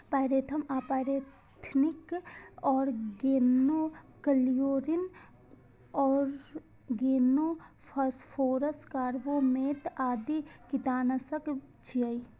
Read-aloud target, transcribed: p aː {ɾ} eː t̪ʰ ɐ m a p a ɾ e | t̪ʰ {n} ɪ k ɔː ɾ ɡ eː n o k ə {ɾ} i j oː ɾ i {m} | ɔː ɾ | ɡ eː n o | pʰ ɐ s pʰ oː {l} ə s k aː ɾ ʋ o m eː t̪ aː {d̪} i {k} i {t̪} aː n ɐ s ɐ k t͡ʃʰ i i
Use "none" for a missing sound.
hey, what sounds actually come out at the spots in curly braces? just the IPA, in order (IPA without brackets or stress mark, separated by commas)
ɾ, n, l, n, ɾ, d̪, k, t̪